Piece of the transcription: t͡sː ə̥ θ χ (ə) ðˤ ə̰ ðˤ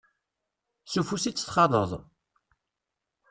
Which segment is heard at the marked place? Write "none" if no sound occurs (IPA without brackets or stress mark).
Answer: ɑ